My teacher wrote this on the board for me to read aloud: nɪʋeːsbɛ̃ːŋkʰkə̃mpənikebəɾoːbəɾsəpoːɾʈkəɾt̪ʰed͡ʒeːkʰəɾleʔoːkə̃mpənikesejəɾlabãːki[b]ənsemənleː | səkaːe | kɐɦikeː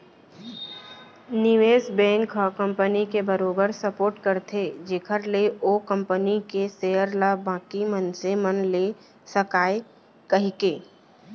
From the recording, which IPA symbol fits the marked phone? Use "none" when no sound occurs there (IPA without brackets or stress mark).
m